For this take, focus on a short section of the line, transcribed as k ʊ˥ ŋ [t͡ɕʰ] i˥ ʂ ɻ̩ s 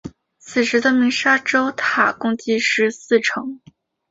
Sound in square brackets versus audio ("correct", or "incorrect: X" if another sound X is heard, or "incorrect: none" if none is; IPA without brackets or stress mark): incorrect: t͡ɕ